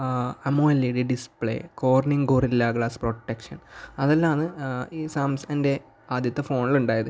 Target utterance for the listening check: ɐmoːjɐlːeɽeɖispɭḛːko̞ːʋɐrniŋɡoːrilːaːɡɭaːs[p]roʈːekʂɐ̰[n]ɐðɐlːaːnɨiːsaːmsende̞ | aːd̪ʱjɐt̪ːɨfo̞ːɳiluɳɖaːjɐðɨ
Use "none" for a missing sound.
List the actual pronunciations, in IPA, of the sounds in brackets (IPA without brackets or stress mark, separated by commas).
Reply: p, n